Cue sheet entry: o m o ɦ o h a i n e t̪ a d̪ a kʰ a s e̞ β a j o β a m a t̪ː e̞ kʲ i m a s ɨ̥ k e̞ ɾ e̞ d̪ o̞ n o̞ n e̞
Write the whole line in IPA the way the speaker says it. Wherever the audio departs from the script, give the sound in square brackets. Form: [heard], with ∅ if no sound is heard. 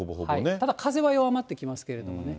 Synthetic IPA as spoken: o [b] o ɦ o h a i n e t̪ a d̪ a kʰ a [z] e̞ β a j o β a m a t̪ː e̞ kʲ i m a s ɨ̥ k e̞ ɾ e̞ d̪ o̞ [m] o̞ n e̞